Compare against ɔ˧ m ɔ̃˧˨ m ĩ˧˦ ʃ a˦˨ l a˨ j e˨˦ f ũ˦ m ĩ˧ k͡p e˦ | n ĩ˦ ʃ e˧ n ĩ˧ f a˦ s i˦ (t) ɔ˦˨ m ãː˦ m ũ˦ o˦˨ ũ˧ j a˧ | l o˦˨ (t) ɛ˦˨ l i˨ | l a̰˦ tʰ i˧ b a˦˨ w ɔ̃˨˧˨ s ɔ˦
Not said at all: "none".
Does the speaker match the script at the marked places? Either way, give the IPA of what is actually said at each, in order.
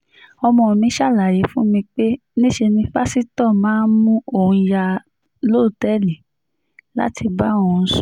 t, t

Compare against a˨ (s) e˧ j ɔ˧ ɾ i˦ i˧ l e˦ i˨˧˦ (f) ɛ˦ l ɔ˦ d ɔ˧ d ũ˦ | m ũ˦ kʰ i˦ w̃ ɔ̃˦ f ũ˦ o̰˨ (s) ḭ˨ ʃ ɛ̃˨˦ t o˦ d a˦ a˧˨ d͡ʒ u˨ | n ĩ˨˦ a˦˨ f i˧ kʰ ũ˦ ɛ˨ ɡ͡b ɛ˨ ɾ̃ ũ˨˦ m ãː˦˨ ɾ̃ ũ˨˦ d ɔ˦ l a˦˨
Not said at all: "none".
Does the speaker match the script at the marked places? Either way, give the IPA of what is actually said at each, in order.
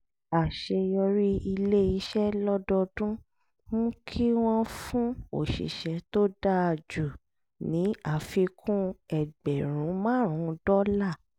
ʃ, ʃ, ʃ

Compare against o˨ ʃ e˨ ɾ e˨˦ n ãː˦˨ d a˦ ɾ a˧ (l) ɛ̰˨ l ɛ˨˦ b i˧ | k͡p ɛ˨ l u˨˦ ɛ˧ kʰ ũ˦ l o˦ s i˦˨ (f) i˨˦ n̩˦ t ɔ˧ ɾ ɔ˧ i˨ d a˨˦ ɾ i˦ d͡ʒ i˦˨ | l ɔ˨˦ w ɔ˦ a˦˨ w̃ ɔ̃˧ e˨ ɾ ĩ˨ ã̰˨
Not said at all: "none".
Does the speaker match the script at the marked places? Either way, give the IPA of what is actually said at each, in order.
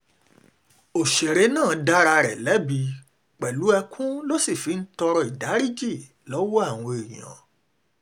ɾ, f

